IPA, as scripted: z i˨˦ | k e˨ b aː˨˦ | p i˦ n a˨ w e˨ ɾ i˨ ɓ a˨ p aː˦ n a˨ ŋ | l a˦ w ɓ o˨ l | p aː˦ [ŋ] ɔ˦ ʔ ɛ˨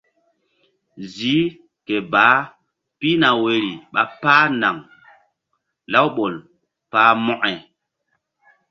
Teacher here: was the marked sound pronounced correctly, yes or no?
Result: no